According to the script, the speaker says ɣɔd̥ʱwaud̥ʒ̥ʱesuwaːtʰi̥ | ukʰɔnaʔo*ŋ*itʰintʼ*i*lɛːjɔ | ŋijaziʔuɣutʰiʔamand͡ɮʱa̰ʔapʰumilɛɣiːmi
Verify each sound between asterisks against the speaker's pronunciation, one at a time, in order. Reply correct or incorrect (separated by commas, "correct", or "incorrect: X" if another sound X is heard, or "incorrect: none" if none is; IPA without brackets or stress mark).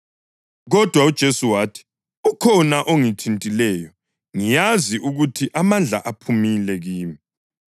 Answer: correct, correct